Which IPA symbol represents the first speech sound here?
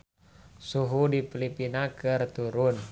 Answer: s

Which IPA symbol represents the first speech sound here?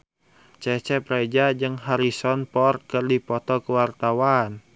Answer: t͡ʃ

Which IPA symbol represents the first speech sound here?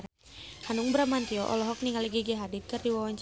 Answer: h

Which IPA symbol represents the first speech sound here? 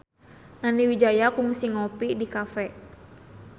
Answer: n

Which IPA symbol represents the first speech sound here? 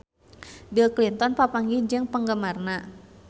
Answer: b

